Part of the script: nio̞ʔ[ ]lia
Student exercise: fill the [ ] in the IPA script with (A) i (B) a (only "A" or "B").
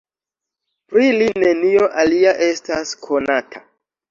B